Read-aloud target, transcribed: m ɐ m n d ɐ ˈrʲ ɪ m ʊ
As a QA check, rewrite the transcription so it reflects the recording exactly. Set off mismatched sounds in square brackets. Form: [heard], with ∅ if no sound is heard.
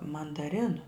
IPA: m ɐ [∅] n d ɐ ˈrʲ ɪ [n] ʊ